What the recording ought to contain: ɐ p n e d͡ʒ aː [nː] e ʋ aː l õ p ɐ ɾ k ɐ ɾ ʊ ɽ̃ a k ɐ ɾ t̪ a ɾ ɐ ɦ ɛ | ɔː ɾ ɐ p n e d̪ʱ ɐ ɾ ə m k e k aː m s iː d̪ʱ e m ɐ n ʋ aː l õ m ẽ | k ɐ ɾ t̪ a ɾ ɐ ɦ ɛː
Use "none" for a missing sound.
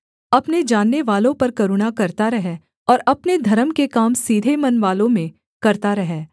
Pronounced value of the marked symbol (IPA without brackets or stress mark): nː